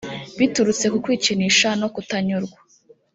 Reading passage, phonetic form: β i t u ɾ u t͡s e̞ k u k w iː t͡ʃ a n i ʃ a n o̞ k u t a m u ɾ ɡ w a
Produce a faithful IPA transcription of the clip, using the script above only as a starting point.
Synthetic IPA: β i t u ɾ u t͡s e̞ k u k w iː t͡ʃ i n i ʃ a n o̞ k u t a ɲ u ɾ ɡ w a